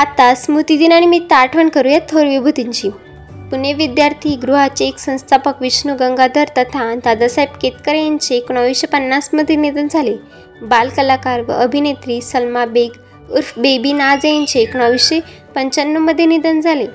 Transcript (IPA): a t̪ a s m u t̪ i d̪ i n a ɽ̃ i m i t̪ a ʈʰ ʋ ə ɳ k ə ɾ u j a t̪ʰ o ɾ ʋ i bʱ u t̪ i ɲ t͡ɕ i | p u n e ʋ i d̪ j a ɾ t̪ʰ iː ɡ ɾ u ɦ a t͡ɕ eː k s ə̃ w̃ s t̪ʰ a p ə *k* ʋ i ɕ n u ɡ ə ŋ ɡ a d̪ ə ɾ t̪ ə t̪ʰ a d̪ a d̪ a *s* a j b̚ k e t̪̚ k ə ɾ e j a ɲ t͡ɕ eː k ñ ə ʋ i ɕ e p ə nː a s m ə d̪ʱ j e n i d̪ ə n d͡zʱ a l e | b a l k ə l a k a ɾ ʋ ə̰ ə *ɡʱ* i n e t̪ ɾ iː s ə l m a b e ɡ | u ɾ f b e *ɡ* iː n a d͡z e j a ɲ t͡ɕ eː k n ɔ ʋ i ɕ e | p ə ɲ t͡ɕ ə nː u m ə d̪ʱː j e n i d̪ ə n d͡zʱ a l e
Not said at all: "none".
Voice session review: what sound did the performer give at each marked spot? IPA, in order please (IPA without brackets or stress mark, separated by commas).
k, s, bʱ, b